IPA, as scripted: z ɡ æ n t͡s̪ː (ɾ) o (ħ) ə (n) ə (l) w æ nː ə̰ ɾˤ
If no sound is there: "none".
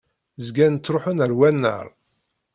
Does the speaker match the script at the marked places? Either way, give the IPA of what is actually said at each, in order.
ɾ, ħ, n, ɾ

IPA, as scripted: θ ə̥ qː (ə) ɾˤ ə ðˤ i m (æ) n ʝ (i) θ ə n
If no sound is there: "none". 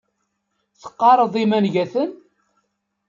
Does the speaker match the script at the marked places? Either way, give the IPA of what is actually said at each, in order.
ɑ, æ, æ

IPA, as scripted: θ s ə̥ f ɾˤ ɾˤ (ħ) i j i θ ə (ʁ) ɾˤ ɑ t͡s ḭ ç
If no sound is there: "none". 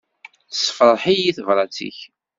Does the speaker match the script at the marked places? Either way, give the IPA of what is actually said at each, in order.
ħ, v

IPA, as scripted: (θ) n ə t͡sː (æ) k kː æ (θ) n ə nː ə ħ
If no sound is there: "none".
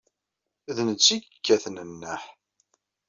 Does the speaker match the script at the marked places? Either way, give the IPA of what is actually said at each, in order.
ð, i, θ

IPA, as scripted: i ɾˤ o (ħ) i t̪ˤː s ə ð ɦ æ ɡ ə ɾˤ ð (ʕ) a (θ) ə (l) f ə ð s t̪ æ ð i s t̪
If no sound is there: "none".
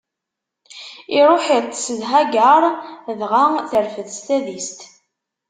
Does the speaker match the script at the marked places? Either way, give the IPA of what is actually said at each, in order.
ħ, ʁ, θ, ɾ

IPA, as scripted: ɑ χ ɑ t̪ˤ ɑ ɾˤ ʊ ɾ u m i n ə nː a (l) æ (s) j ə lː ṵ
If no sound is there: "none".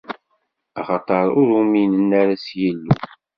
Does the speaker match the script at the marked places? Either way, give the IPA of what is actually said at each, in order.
ɾ, s

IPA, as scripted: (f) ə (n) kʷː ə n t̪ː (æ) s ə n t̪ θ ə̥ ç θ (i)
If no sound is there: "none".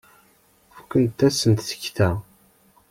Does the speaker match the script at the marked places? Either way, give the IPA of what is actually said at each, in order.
f, none, æ, æ

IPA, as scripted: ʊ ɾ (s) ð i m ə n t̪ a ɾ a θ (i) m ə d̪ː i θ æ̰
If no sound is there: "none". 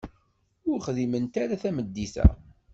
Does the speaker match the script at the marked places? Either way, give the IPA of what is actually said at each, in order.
χ, æ

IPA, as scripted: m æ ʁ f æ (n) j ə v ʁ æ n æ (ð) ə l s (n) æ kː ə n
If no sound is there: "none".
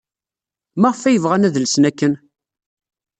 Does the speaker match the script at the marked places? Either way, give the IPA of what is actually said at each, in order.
none, ð, n

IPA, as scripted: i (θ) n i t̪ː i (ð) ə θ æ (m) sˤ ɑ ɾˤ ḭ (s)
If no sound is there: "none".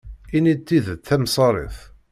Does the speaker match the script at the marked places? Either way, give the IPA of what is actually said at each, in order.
none, ð, m, θ

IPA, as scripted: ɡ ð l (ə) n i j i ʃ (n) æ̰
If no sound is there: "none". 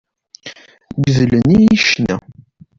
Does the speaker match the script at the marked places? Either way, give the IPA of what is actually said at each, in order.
ə, n

